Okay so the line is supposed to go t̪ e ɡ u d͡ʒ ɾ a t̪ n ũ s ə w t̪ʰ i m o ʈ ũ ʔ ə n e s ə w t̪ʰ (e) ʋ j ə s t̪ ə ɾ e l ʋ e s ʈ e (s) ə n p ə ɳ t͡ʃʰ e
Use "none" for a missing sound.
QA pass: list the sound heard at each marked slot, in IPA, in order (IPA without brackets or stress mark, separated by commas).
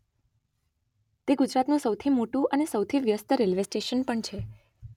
i, ʃ